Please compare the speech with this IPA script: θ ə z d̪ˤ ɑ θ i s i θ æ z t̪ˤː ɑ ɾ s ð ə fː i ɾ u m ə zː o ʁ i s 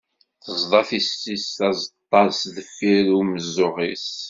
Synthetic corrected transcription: θ ə z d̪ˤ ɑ θ i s i s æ z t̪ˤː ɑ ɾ s ð ə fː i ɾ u m ə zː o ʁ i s